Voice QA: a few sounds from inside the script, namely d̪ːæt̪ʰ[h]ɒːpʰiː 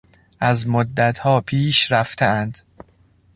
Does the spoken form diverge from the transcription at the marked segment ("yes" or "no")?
no